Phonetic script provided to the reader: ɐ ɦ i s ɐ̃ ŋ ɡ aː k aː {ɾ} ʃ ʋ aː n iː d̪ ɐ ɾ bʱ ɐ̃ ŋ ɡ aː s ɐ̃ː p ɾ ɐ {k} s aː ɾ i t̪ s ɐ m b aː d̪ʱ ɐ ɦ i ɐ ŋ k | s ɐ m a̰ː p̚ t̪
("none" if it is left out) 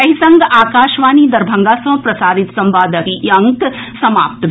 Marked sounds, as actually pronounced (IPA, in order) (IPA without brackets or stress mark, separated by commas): none, none